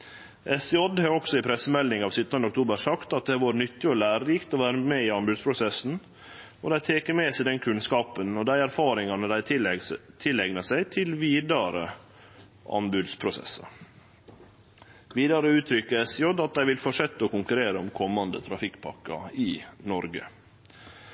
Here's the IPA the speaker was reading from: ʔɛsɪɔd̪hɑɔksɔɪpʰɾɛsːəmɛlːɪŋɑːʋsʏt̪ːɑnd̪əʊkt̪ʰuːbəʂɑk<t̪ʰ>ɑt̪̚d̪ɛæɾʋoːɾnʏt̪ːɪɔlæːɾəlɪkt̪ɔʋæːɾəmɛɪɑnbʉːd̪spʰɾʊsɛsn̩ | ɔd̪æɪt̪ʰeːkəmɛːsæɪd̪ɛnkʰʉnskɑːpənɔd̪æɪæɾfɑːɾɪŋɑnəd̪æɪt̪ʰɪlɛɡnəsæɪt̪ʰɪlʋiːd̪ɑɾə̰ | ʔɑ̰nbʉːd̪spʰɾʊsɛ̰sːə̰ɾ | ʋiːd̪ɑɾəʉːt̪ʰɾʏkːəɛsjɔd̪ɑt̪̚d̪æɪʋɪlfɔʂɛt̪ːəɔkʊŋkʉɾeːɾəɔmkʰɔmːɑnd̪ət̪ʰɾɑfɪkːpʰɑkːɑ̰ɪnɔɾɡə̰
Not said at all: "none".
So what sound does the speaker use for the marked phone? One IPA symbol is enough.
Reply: t̪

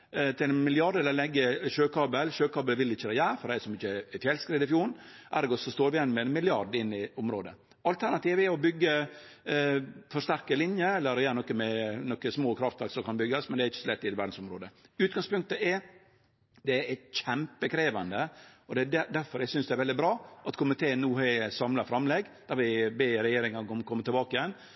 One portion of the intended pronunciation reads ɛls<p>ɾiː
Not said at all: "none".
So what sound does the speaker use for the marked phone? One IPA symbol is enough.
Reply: k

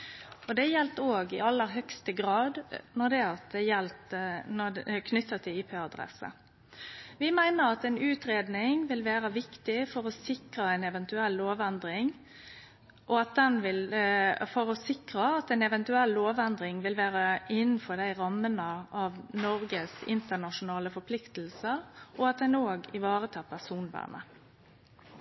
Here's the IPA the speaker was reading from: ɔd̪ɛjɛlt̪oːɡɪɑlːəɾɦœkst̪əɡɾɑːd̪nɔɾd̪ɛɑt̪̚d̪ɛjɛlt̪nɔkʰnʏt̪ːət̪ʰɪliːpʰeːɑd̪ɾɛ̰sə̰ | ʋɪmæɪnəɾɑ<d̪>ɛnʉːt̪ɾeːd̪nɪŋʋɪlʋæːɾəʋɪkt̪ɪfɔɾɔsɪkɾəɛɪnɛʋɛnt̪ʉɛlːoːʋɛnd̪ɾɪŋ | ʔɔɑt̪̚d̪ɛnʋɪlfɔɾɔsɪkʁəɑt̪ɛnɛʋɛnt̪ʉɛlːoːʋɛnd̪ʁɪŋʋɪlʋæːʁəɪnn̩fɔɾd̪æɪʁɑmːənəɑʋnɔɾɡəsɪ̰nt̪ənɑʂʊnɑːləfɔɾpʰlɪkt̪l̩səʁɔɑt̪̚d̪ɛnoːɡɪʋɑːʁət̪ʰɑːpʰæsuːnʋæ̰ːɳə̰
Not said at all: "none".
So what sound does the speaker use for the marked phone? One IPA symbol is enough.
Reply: t̪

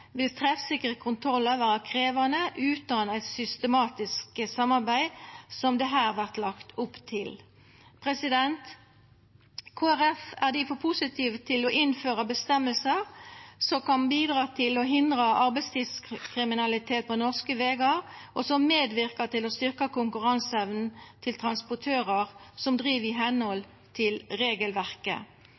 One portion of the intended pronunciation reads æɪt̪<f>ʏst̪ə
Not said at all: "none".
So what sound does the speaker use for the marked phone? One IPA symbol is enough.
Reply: s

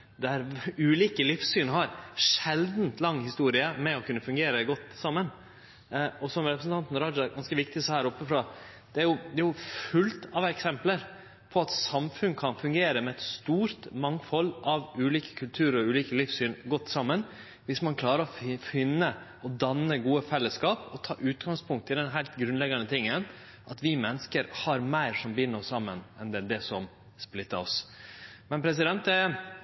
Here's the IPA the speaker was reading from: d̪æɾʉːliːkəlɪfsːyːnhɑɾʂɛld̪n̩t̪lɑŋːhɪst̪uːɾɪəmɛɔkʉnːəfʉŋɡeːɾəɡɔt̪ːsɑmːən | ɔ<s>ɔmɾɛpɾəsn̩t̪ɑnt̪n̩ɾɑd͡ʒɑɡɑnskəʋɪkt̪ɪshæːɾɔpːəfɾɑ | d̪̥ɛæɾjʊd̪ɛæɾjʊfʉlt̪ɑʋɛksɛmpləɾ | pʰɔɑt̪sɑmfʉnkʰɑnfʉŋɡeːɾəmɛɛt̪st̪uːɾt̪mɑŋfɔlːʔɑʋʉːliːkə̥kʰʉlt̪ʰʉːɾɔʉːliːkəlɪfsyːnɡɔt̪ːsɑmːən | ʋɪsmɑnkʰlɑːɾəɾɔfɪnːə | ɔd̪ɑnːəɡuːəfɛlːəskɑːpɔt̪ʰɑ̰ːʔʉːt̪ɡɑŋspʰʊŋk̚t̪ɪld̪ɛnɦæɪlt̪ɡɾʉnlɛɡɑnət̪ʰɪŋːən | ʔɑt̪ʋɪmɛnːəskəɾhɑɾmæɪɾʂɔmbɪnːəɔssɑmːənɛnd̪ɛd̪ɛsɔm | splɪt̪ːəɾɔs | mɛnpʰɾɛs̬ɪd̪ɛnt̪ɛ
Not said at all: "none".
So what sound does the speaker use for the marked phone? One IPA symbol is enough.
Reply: s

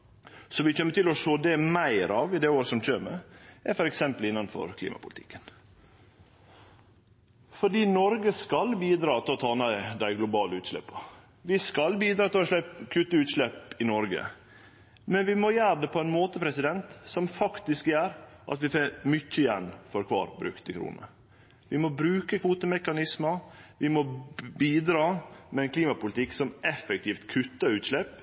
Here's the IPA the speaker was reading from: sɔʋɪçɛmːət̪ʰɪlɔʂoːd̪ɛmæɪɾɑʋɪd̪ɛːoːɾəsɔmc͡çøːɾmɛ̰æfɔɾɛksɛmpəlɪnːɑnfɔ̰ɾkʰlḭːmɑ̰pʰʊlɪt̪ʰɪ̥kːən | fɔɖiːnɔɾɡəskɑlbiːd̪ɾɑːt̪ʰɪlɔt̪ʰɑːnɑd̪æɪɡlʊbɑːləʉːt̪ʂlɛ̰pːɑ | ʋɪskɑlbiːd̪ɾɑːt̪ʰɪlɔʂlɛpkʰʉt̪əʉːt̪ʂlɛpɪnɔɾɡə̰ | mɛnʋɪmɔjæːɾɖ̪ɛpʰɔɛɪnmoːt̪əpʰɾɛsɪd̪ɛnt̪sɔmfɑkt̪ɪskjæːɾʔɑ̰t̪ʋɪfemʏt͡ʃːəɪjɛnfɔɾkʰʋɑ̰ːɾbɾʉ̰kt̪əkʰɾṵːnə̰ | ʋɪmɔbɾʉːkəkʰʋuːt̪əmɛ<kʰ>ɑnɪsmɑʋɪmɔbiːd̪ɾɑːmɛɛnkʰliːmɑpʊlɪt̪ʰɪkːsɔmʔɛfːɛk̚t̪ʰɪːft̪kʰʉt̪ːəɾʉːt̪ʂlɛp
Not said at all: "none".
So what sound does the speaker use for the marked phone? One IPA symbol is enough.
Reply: k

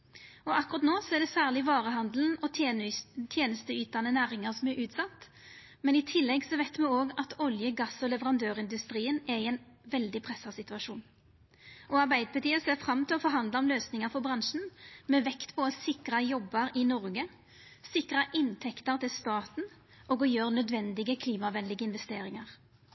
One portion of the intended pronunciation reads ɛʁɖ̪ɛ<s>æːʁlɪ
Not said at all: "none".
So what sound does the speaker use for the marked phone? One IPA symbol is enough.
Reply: s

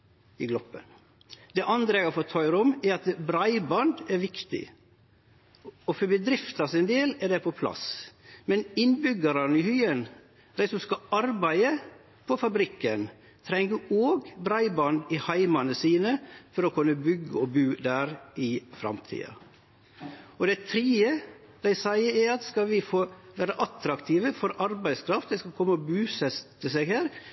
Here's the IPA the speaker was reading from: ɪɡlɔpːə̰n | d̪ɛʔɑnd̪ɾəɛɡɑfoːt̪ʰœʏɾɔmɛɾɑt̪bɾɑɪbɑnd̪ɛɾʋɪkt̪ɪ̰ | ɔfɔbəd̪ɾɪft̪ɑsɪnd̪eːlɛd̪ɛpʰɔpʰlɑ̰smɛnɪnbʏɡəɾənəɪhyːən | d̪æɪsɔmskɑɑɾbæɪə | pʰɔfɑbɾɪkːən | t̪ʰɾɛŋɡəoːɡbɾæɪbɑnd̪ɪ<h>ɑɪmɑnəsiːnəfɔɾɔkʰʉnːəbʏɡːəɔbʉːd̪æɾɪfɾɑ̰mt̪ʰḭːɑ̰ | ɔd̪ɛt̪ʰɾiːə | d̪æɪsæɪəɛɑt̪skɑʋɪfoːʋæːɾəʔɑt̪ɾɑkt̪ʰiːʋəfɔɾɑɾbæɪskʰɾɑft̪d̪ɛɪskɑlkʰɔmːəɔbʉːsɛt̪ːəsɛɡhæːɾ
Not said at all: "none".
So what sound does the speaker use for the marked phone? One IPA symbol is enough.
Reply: h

